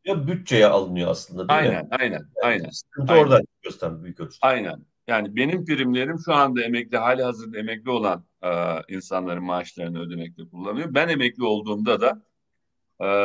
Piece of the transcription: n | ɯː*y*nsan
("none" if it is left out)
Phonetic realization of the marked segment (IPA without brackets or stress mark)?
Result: i